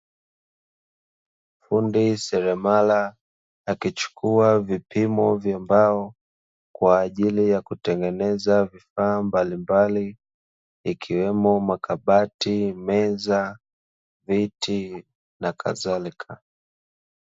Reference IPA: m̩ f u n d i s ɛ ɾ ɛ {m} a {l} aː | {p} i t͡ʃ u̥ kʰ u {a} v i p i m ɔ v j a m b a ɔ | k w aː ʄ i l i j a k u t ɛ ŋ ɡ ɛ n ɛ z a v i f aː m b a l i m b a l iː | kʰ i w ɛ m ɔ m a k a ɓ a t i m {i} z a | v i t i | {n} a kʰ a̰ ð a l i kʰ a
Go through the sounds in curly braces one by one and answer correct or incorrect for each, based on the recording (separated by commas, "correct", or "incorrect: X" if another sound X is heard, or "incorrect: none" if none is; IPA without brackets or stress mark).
correct, correct, incorrect: k, correct, incorrect: ɛ, correct